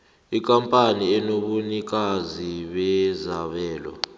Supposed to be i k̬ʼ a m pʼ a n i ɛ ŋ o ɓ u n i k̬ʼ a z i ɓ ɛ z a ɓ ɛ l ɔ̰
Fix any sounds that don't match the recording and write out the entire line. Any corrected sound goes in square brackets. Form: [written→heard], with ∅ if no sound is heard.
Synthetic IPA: i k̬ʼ a m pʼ a n i ɛ [ŋ→n] o ɓ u n i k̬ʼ a z i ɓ ɛ z a ɓ [ɛ→ɛː] l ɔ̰